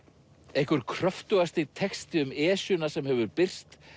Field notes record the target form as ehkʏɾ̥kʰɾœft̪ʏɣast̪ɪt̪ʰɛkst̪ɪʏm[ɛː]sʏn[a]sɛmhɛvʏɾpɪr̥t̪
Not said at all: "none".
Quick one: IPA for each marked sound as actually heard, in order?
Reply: ɛː, a

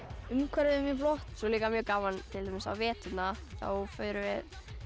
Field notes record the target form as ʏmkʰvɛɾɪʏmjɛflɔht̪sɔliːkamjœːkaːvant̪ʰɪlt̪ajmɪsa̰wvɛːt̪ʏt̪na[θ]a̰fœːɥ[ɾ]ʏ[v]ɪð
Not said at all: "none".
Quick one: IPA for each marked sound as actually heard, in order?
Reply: θ, ɾ, v

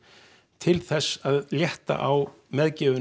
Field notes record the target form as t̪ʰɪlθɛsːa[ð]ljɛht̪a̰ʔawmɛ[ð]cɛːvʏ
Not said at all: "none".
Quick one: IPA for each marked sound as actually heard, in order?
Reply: ð, ð

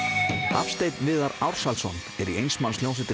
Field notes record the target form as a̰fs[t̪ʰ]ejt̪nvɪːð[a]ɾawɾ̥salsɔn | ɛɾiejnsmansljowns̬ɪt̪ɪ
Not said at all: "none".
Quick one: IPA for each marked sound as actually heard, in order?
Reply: t̪, a

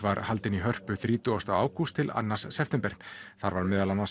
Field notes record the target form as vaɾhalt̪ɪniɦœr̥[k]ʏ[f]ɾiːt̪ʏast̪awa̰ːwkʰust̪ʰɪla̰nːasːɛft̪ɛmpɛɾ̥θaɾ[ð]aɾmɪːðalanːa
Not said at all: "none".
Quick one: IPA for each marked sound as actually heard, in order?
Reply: p, θ, v

